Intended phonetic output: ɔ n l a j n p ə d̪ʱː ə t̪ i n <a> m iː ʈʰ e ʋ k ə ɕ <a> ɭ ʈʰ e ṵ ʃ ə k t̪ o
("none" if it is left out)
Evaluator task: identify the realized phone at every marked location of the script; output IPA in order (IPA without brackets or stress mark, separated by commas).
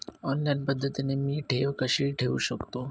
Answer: e, i